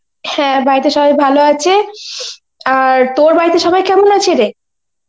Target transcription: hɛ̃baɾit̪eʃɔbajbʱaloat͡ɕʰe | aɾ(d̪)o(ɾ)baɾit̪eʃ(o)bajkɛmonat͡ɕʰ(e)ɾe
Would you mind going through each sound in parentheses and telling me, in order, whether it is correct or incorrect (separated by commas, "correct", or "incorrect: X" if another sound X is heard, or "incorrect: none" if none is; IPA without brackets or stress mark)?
incorrect: t̪, correct, incorrect: ɔ, correct